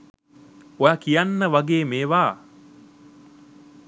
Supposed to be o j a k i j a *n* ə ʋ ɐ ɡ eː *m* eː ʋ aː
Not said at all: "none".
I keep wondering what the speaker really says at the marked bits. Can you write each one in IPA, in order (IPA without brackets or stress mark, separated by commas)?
nː, m